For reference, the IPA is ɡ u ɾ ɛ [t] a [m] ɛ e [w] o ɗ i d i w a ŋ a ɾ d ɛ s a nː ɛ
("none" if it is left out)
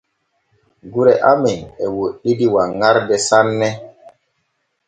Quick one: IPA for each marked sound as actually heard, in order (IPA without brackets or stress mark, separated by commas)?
ʔ, m, w